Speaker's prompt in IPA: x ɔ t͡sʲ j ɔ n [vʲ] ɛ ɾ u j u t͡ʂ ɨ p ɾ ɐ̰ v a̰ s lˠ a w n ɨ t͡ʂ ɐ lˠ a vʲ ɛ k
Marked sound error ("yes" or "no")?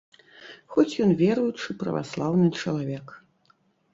no